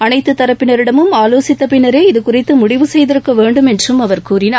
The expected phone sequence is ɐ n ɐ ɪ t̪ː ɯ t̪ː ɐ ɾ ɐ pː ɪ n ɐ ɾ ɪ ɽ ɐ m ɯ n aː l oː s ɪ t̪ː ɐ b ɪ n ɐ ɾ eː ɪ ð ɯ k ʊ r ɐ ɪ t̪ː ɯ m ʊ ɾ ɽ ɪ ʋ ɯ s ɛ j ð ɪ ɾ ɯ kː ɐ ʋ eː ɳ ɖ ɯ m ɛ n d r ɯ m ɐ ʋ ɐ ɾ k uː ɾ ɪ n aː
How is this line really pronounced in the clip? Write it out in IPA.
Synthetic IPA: ɐ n ɐ ɪ t̪ː ɯ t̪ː ɐ ɾ ɐ pː ɪ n ɐ ɾ ɪ ɽ ɐ m ɯ m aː l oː s ɪ t̪ː ɐ p ɪ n ɐ ɾ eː ɪ ð ɯ k ʊ r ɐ ɪ t̪ː ɯ m ʊ ɽ ɪ ʋ ɯ s ɛ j ð ɪ ɾ ɯ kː ɐ ʋ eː ɳ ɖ ɯ m ɛ n d r ɯ m ɐ ʋ ɐ ɾ k uː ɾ ɪ n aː